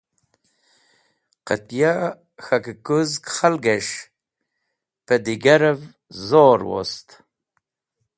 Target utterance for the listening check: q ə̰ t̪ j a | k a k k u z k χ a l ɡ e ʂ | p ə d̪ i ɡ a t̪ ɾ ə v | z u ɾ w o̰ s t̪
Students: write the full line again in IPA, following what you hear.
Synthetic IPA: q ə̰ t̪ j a | x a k k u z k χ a l ɡ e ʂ | p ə d̪ i ɡ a ɾ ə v | z o ɾ w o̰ s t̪